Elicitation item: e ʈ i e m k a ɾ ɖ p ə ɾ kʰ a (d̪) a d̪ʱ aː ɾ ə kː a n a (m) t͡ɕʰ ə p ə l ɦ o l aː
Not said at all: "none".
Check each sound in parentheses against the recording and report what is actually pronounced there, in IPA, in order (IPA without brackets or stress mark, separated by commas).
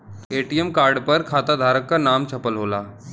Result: t̪, m